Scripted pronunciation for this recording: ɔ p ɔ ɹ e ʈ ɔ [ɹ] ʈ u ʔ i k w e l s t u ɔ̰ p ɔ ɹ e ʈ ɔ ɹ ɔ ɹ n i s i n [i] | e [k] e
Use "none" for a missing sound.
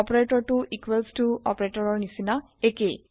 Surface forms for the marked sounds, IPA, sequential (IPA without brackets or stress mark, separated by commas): ɹ, a, k